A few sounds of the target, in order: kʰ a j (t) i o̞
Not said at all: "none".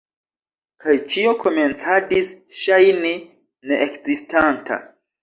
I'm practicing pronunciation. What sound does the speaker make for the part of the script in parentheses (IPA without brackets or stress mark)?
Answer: t͡ʃ